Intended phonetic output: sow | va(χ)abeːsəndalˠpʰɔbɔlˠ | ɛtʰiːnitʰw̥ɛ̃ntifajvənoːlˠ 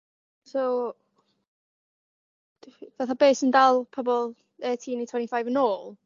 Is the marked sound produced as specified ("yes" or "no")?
no